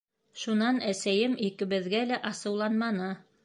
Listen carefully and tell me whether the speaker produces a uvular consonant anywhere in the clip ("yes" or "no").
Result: no